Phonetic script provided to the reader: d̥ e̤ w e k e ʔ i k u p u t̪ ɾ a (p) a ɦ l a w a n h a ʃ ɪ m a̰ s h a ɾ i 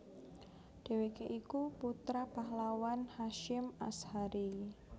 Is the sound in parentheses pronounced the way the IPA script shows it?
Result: yes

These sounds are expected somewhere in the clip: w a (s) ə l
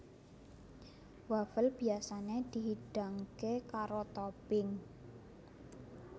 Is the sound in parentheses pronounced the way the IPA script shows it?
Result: no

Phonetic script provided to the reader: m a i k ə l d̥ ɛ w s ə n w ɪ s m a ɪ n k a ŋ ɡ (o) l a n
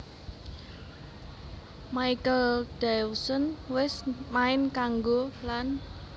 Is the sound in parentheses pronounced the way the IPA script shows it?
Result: yes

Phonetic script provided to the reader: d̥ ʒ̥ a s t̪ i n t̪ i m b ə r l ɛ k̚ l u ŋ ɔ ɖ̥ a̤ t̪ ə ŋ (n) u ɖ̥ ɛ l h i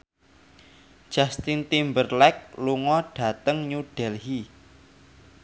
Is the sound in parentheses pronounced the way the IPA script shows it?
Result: no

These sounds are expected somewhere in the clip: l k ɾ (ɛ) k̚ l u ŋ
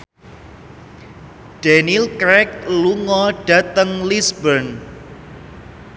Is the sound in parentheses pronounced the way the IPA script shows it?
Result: yes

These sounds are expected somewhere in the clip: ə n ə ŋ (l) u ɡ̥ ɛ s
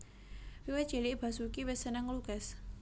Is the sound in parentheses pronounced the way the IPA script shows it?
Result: yes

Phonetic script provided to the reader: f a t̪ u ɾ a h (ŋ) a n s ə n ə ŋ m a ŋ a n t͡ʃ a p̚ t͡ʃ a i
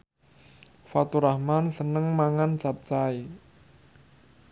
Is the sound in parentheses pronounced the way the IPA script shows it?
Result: no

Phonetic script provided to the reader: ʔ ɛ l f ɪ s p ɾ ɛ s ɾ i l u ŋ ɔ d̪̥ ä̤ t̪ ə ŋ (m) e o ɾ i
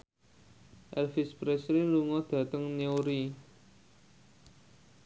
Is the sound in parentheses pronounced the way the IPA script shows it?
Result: no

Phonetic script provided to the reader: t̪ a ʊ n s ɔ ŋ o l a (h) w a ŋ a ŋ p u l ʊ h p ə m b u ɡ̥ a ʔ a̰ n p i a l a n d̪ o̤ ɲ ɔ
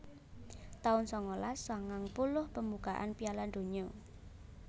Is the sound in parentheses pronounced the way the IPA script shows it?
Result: no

